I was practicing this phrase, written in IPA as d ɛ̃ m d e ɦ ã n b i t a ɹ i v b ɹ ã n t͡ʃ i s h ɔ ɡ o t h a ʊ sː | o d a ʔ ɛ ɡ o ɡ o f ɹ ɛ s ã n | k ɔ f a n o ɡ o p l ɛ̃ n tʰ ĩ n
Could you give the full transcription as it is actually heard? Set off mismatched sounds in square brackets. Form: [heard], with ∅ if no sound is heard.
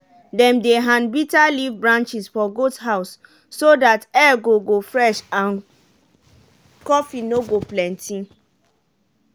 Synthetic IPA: d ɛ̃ m d e ɦ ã n b i t a [l] i v b ɹ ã n t͡ʃ i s [f] ɔ ɡ o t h a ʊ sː | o d a [t] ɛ ɡ o ɡ o f ɹ ɛ [ʃ] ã n | k ɔ f [i] n o ɡ o p l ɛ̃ n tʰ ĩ n